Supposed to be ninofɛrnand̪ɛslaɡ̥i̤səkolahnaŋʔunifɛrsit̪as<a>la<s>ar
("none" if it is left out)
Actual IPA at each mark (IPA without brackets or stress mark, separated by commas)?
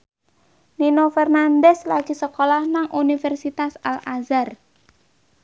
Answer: a, z